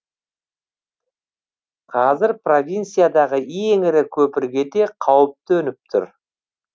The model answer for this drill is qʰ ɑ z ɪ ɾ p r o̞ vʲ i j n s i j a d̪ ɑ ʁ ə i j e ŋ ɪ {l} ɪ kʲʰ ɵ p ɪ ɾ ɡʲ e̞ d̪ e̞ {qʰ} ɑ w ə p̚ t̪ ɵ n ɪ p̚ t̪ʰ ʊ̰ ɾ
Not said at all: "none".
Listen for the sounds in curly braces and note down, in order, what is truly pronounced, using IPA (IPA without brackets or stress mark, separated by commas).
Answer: ɾ, qʰ